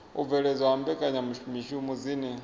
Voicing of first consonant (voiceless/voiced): voiced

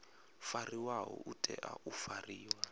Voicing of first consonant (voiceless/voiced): voiceless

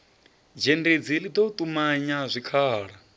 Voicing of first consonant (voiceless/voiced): voiced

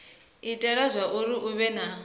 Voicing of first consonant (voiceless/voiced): voiceless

